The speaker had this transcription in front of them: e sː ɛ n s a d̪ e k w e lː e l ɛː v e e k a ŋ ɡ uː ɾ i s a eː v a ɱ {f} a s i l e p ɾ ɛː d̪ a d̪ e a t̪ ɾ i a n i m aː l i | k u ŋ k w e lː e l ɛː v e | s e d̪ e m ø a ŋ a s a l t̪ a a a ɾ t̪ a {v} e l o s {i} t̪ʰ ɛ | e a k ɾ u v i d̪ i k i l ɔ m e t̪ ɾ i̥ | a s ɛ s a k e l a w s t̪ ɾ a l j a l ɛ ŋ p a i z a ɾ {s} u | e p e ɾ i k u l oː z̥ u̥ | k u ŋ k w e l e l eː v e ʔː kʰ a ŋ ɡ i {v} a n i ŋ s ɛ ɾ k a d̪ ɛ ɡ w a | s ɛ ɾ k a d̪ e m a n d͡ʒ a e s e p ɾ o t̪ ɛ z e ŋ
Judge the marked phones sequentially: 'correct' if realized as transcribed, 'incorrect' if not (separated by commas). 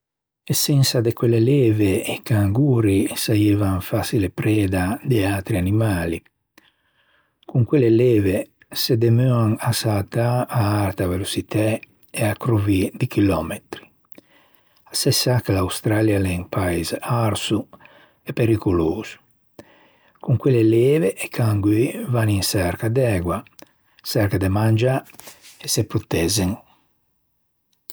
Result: correct, correct, correct, correct, correct